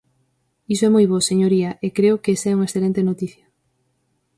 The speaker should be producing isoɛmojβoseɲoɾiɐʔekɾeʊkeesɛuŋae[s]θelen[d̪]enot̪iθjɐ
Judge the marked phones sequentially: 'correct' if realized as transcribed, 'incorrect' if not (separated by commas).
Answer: correct, incorrect